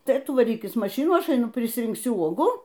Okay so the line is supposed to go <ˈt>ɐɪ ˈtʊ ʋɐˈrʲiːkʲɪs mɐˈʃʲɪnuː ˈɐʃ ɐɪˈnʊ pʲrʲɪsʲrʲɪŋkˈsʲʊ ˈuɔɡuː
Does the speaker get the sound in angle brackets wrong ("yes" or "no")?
no